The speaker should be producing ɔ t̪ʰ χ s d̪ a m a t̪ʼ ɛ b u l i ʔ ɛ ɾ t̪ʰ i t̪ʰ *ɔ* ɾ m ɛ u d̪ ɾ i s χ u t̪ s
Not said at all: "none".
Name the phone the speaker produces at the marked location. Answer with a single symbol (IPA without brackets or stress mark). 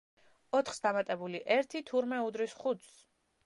u